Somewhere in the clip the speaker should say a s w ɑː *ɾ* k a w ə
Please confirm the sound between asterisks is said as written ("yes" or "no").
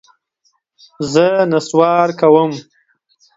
yes